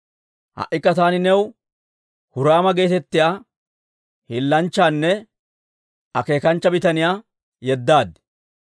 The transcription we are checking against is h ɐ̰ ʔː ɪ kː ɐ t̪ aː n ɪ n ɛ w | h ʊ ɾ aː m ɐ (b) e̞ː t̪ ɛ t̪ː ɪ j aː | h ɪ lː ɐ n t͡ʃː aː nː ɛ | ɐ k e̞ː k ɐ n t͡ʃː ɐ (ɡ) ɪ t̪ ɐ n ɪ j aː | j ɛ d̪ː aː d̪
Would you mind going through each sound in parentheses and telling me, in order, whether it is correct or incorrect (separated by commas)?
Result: incorrect, incorrect